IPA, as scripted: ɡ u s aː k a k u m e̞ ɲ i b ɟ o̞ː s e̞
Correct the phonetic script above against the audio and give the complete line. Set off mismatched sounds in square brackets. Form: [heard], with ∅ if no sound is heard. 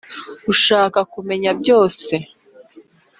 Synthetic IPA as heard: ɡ u [ʃ] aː k a k u m e̞ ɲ [a] b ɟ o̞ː s e̞

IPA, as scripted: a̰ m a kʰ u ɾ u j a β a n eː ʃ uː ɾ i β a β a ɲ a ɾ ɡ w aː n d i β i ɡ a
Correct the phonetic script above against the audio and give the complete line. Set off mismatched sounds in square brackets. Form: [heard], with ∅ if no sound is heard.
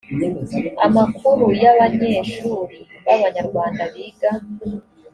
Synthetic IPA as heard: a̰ m a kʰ u ɾ u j a β a [ɲ] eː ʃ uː ɾ i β a β a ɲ a ɾ ɡ w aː n d [a] β i ɡ a

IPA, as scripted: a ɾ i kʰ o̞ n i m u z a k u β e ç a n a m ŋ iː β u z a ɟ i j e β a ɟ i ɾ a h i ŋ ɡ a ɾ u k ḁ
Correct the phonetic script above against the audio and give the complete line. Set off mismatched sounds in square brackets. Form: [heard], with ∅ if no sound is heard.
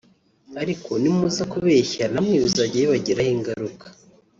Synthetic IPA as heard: a ɾ i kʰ o̞ n i m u z a k u β e ç a n a m ŋ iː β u z a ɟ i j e β a ɟ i ɾ a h i ŋ ɡ a ɾ u k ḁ

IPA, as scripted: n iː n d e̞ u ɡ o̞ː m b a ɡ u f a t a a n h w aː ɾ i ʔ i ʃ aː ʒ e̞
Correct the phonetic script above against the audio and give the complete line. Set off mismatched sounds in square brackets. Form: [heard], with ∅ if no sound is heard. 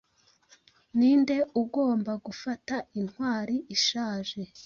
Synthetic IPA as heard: n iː n d e̞ u ɡ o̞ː m b a ɡ u f a t a [i] n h w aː ɾ i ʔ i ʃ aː ʒ e̞

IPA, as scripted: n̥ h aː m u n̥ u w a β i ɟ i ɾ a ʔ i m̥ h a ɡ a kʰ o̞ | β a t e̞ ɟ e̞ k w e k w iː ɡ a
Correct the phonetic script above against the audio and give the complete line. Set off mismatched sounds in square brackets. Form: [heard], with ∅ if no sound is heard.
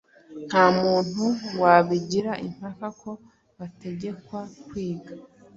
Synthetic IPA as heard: n̥ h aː m [uː] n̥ u w a β i ɟ i ɾ a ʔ i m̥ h a [k] a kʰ o̞ | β a t e̞ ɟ e̞ k w [a] k w iː ɡ a

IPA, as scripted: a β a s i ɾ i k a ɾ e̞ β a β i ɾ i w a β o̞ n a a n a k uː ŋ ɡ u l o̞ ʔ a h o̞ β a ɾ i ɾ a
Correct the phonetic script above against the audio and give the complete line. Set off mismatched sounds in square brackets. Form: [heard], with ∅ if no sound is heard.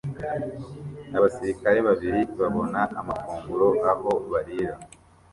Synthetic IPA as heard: a β a s i ɾ i k a ɾ e̞ β a β i ɾ i [β] a β o̞ n a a [m] a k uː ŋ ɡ u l o̞ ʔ a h o̞ β a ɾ i ɾ a

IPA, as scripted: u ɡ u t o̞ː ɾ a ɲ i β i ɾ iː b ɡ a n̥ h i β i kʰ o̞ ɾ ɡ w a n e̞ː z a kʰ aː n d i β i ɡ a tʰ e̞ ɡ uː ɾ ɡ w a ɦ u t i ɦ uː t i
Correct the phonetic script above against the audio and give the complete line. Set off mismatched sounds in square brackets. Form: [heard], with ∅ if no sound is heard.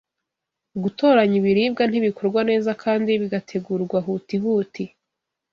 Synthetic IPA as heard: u ɡ u t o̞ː ɾ a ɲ i β i ɾ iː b ɡ a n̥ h i β i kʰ o̞ ɾ ɡ w a n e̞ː z a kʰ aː n d i β i ɡ a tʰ e̞ ɡ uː ɾ ɡ w a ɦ u t i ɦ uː t i

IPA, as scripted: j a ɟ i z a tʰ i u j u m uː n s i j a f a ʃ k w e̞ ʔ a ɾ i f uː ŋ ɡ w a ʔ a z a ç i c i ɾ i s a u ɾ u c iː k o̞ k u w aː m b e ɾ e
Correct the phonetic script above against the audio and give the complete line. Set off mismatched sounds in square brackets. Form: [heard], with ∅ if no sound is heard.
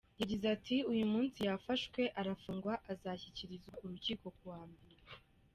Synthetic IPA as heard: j a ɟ i z a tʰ i u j u m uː n s i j a f a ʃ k w e̞ ʔ a ɾ [a] f uː ŋ ɡ w a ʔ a z a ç i c i ɾ i [z] a u ɾ u c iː k o̞ k u w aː m b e ɾ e

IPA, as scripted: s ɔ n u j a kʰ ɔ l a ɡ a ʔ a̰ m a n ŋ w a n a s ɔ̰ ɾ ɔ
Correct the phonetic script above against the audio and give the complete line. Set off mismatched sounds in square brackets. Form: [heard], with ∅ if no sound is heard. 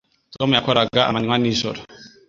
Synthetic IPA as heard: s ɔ [m] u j a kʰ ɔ [ɾ] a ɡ a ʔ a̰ m a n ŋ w a n [i] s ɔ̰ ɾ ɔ

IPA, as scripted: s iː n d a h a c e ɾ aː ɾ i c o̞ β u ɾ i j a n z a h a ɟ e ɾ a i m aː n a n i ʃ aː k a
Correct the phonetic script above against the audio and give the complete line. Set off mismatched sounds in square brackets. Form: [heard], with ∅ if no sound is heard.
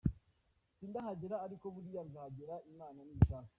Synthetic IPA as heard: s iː n d a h a [ɟ] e ɾ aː ɾ i [k] o̞ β u ɾ i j a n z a h a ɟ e ɾ a i m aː n a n i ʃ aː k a

